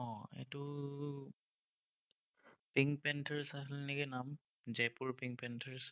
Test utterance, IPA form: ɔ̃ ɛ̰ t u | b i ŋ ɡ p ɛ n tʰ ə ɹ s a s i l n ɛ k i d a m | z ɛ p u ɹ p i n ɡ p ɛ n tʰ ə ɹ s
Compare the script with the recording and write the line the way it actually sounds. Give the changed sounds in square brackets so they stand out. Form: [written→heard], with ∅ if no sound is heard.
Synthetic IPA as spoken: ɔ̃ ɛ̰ t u | [b→p] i ŋ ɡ p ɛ n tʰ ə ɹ s a s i l n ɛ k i [d→n] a m | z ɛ p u ɹ p i [n→ŋ] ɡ p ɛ n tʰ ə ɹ s